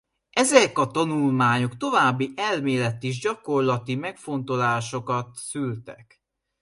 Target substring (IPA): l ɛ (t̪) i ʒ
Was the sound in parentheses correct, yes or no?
yes